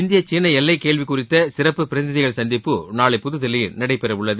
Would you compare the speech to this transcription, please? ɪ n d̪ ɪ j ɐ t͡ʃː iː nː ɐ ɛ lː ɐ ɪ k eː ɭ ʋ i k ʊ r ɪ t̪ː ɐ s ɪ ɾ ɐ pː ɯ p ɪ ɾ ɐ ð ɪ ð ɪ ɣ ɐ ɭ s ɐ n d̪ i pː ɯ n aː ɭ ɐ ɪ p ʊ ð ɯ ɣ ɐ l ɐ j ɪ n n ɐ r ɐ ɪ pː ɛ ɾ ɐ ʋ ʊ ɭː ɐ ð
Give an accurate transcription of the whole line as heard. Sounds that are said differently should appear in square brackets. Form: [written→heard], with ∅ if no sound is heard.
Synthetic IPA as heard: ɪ n d̪ ɪ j ɐ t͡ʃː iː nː ɐ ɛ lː ɐ ɪ k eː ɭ ʋ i k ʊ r ɪ t̪ː ɐ s ɪ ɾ ɐ pː ɯ p ɪ ɾ ɐ ð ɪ ð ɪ ɣ ɐ ɭ s ɐ n d̪ [i→ɪ] pː ɯ n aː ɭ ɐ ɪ p ʊ ð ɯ [ɣ→ð] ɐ l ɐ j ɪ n n ɐ [r→ɽ] ɐ ɪ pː ɛ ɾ ɐ ʋ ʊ ɭː ɐ ð